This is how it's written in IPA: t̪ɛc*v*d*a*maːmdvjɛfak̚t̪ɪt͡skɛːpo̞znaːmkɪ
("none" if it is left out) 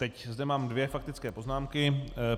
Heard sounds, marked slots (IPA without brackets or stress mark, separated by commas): z, ɛ